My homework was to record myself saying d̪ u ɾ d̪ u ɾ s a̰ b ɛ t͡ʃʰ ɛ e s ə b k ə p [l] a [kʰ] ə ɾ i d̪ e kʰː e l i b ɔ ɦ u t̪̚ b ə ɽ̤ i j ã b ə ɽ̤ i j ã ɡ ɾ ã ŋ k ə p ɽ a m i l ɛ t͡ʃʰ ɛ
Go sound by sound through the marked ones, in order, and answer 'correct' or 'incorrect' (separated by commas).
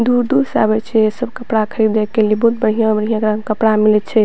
incorrect, correct